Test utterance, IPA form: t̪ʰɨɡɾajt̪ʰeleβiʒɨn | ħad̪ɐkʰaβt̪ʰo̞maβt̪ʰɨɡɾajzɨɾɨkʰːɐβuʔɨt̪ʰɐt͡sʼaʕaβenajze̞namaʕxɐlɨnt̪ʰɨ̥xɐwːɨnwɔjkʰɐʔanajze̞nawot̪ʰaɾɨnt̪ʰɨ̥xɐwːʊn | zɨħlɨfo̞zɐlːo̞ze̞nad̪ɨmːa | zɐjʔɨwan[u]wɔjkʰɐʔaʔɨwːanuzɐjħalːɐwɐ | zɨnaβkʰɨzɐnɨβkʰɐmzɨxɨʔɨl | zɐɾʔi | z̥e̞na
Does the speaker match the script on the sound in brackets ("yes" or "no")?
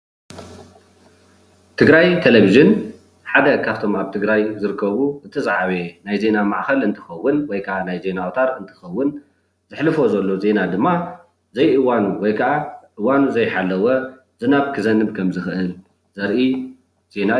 yes